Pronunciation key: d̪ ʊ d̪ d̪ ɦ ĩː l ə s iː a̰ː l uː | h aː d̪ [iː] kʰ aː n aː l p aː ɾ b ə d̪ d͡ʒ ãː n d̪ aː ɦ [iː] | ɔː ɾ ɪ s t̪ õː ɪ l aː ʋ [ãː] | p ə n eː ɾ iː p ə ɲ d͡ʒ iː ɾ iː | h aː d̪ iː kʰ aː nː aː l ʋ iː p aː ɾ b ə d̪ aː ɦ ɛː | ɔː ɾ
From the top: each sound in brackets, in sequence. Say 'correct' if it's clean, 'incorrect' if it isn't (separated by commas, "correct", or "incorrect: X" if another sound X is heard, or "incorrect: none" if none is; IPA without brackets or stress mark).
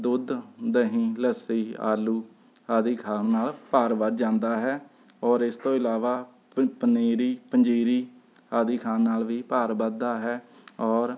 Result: correct, incorrect: ɛː, incorrect: aː